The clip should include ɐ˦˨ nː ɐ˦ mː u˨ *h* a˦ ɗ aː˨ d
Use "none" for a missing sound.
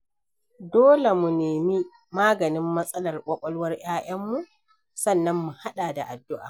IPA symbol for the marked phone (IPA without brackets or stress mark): h